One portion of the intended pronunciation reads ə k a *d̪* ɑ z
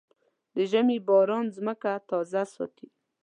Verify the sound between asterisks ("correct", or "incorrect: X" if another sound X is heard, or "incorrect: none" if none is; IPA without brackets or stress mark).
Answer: incorrect: t̪